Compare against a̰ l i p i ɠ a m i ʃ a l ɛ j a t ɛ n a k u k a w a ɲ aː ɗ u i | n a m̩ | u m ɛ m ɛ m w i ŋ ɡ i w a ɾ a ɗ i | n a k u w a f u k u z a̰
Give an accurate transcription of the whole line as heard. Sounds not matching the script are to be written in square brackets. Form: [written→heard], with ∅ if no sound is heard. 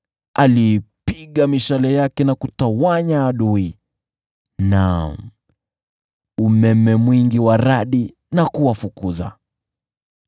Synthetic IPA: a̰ l i p i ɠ a m i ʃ a l ɛ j a [t→k] ɛ n a k u [k→t] a w a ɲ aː ɗ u i | n a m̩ | u m ɛ m ɛ m w i ŋ ɡ i w a ɾ a ɗ i | n a k u w a f u k u z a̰